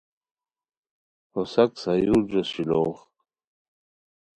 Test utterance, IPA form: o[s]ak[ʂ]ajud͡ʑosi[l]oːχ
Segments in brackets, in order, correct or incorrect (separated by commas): correct, incorrect, correct